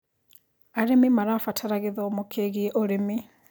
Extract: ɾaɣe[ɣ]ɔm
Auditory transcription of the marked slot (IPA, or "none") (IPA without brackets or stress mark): ð